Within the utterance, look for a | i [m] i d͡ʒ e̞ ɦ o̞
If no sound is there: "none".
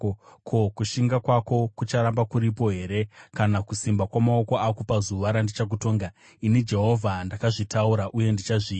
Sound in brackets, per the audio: n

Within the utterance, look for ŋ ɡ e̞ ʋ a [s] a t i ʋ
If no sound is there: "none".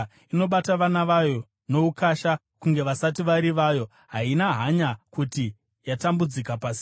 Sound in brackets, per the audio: s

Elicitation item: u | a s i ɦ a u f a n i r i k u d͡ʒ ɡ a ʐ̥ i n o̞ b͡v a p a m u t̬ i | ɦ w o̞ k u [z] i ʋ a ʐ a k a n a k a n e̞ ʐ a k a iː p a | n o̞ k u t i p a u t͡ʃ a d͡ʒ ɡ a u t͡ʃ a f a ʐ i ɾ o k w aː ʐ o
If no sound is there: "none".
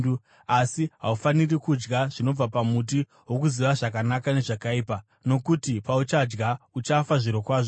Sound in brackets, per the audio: z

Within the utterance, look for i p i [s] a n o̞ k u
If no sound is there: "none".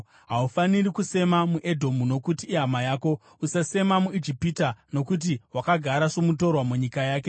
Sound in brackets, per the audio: t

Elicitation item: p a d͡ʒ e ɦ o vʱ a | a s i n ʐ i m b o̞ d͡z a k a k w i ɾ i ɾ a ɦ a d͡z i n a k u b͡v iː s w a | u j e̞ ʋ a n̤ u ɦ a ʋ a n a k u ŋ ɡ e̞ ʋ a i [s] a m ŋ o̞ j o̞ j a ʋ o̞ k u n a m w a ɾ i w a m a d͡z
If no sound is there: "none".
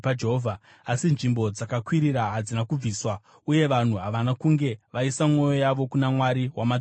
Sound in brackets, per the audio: s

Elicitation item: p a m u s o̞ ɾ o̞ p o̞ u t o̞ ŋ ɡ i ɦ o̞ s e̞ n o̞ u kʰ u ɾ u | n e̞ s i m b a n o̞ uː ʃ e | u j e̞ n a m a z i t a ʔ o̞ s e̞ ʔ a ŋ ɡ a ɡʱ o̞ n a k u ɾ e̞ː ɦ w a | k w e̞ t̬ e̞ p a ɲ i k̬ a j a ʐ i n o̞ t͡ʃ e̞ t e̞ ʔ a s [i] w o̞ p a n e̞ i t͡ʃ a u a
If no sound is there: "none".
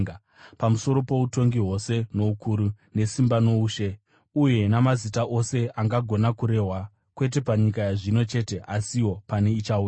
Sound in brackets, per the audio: i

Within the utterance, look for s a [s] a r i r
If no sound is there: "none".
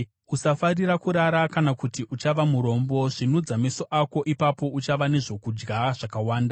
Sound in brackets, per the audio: f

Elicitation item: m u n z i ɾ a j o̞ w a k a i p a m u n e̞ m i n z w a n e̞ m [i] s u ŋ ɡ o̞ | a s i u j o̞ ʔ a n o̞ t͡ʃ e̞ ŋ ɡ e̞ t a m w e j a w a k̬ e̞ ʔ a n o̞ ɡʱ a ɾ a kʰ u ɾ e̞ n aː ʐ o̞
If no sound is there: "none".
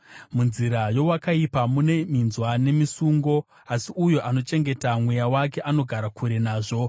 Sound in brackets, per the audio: i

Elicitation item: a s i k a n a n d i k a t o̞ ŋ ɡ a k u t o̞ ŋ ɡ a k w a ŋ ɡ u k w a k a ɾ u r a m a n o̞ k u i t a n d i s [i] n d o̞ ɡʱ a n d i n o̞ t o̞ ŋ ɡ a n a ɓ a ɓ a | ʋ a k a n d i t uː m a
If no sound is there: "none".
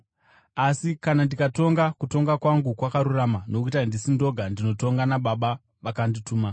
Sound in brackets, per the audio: i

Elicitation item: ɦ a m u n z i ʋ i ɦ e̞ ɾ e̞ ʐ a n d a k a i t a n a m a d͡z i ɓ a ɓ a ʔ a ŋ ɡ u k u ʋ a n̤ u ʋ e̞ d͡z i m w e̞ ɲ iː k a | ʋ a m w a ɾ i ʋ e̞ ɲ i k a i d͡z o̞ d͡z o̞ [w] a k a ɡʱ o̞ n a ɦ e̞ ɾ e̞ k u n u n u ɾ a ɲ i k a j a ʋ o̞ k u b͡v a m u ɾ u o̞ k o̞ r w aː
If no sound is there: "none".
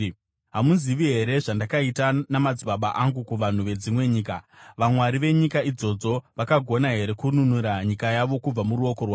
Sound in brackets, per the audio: ʋ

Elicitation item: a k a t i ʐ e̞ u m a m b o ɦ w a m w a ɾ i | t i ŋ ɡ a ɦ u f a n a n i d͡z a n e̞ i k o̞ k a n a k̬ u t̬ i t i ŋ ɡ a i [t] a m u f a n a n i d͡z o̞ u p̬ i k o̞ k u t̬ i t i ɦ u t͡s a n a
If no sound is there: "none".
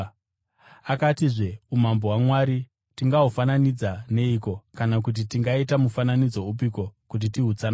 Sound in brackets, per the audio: t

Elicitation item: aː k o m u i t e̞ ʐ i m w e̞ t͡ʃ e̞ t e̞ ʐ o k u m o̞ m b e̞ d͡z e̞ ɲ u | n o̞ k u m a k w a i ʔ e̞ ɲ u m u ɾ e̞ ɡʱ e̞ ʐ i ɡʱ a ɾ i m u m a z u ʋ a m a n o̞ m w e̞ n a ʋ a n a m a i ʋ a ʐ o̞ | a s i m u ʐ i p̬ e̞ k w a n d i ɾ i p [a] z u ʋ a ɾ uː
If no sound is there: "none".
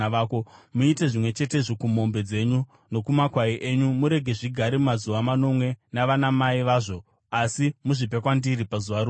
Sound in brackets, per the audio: a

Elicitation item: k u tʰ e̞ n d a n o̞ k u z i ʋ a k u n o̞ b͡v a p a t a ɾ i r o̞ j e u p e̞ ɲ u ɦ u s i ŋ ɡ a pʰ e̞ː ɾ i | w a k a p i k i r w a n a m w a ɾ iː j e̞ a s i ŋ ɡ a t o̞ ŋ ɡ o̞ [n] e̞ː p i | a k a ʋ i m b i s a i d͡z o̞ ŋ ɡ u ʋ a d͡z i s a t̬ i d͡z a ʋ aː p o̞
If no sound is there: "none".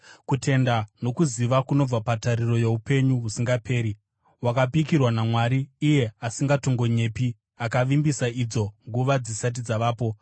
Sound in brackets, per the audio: ɲ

